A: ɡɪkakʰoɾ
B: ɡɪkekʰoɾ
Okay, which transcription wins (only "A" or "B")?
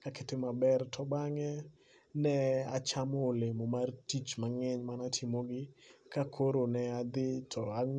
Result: A